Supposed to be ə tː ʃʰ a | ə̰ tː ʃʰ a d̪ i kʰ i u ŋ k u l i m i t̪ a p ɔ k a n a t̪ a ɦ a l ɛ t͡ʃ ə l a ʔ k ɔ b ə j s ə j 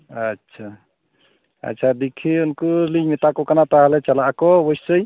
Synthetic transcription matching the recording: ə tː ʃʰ a | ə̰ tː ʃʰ a d̪ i kʰ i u n k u l i m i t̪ a k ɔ k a n a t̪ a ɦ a l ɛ t͡ʃ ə l a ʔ k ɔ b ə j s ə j

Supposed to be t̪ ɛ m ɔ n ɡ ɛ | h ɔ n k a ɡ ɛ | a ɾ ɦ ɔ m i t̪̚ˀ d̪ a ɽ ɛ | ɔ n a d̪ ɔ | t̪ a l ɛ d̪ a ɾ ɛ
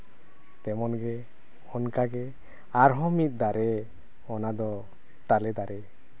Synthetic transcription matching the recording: t̪ ɛ m ɔ n ɡ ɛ | h ɔ n k a ɡ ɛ | a ɾ ɦ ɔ m i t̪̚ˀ d̪ a ɾ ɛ | ɔ n a d̪ ɔ | t̪ a l ɛ d̪ a ɾ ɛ

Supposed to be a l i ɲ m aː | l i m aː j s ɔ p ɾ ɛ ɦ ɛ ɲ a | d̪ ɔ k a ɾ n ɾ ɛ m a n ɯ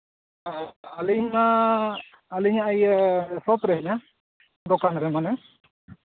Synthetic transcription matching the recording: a l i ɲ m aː | l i ɲ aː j s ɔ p ɾ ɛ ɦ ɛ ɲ a | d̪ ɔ k a n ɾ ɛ m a n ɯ

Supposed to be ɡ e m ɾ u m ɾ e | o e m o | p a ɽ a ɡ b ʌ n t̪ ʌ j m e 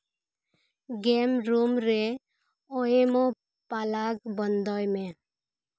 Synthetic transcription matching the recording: ɡ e m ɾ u m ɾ e | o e m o | p a l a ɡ b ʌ n d̪ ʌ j m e

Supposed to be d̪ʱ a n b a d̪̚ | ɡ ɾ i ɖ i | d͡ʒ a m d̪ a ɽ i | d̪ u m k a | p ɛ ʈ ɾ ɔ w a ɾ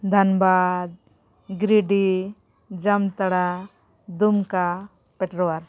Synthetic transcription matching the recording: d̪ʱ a n b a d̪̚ | ɡ ɾ i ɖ i | d͡ʒ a m t̪ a ɽ a | d̪ u m k a | p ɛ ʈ ɾ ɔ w a ɾ

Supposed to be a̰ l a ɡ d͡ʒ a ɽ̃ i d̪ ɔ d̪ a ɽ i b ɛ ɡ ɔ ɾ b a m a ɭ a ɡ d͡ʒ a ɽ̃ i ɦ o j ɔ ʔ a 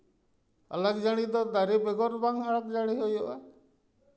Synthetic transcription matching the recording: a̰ l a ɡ d͡ʒ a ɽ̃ i d̪ ɔ d̪ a ɾ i b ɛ ɡ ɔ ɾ b a ŋ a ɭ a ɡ d͡ʒ a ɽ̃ i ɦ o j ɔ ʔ a

